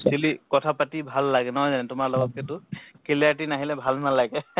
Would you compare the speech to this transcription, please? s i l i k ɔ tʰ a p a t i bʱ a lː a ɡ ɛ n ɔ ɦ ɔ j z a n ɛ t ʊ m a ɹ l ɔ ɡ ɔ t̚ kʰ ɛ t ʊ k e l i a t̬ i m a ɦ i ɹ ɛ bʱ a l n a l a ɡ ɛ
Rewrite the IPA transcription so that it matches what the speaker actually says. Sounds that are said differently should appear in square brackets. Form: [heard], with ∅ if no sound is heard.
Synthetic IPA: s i l i k ɔ tʰ a p a t i bʱ a lː a ɡ ɛ n ɔ ɦ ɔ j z a n ɛ t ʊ m a ɹ l ɔ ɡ ɔ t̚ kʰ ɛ t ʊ k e l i a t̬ i [n] a ɦ i [l] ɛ bʱ a l n a l a ɡ ɛ